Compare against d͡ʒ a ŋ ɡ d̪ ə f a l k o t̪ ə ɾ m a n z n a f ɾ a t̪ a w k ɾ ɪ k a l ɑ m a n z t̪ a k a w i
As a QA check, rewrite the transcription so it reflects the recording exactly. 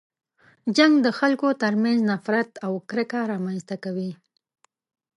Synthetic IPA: d͡ʒ a ŋ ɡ d̪ ə x a l k o t̪ ə ɾ m a n z n a f ɾ a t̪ a w k ɾ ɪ k a ɾ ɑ m a n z t̪ a k a w i